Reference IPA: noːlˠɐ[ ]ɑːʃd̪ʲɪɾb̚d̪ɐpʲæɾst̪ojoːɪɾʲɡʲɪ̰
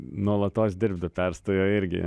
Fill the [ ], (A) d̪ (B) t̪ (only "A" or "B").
B